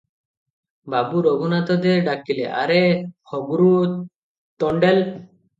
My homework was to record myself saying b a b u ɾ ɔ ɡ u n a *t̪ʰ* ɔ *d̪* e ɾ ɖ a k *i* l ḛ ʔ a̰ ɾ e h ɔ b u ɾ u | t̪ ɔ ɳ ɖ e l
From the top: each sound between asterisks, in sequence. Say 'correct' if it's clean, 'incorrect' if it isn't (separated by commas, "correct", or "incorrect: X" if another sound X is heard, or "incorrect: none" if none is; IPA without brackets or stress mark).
incorrect: t̪, correct, correct